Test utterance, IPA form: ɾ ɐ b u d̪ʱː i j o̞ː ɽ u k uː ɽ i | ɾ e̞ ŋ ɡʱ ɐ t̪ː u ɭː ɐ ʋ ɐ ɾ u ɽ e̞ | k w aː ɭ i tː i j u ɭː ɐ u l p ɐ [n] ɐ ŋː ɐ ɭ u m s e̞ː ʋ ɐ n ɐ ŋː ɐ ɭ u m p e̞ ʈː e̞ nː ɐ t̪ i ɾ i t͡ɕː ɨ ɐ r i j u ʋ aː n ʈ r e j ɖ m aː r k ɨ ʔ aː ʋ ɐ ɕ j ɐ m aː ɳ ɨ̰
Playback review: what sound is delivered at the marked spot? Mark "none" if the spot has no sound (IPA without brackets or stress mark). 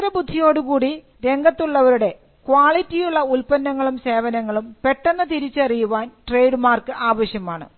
nː